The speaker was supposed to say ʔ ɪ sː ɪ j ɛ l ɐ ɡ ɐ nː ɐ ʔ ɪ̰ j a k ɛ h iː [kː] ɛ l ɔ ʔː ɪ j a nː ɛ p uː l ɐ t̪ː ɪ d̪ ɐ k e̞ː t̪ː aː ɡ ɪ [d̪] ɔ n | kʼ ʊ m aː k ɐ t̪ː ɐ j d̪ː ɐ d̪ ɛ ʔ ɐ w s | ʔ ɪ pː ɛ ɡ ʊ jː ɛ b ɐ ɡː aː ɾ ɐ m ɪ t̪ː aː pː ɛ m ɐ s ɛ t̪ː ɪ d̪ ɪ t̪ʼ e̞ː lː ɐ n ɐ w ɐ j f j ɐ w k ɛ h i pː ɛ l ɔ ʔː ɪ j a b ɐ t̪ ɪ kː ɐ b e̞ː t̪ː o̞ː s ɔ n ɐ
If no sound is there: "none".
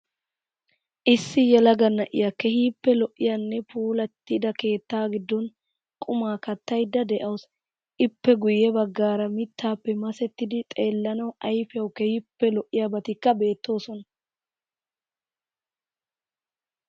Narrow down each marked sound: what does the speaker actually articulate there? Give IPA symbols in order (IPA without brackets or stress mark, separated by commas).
pː, d̪ː